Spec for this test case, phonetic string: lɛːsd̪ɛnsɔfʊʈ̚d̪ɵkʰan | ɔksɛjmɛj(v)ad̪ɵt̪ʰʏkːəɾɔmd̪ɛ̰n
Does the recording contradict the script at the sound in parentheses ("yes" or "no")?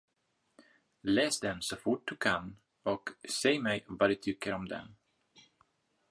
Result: no